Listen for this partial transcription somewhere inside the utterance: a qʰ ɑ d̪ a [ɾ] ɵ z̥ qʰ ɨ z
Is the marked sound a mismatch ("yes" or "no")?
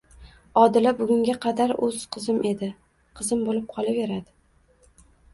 no